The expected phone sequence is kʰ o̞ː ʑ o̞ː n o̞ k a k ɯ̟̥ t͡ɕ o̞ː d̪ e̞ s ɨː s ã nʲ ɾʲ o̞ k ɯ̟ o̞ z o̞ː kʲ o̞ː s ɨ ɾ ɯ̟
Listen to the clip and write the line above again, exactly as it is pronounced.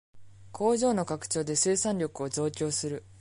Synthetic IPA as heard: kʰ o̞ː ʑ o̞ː n o̞ k a k ɯ̟̥ t͡ɕ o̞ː d̪ e̞ s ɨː s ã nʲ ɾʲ o̞ k ɯ̟ o̞ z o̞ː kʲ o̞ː s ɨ ɾ ɯ̟